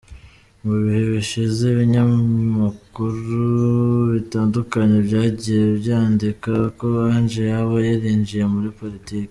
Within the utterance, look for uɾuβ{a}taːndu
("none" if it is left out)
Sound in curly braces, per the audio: i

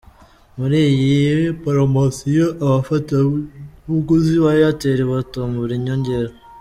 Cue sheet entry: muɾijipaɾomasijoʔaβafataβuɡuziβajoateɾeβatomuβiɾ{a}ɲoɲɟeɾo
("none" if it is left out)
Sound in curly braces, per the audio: i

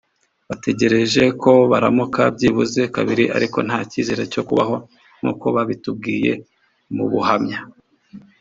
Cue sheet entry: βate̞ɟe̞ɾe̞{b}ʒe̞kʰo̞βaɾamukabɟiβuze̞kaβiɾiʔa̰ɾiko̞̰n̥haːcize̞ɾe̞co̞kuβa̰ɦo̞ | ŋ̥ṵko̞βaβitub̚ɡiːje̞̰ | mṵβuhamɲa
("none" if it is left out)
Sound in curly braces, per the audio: none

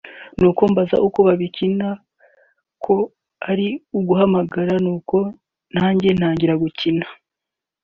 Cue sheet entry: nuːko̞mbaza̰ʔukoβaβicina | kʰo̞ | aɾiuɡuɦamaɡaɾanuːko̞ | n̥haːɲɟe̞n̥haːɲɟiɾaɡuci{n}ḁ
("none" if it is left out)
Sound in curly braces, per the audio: n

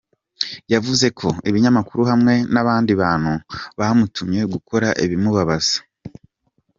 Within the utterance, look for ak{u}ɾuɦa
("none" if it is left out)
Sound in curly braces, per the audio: u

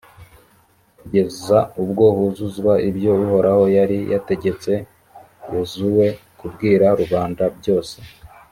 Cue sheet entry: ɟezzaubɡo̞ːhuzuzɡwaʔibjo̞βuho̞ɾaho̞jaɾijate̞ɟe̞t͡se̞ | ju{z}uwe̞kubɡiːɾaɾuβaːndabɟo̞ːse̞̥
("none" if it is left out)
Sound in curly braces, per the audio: z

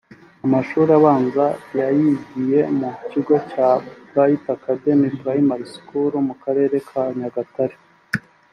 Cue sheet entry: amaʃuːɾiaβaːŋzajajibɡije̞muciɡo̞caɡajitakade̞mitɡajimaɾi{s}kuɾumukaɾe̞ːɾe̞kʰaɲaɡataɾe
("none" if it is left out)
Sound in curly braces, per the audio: s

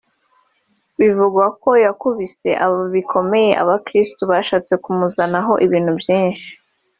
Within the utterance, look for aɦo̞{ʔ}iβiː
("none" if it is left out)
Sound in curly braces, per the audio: ʔ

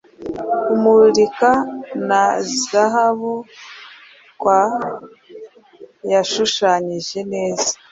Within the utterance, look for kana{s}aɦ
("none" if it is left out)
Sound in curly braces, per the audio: z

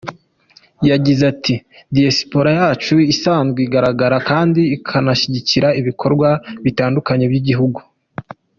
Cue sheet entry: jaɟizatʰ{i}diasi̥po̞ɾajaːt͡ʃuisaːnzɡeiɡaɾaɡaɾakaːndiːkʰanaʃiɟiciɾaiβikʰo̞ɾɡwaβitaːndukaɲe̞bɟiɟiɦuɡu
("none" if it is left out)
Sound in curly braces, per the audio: i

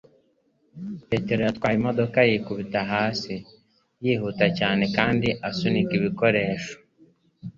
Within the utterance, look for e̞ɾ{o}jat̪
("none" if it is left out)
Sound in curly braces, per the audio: o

